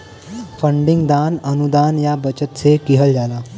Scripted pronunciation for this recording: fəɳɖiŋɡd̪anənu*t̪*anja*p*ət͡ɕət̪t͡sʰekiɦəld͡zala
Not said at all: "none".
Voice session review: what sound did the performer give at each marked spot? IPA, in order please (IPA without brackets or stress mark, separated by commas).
d̪, b